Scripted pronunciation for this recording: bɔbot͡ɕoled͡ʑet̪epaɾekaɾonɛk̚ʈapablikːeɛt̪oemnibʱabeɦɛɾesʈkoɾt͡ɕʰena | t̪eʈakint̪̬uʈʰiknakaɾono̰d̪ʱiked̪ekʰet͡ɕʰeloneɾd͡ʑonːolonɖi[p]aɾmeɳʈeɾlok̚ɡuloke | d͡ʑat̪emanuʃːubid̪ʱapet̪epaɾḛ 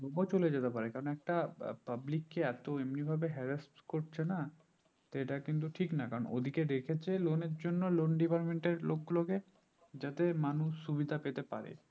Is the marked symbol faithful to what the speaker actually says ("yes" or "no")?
yes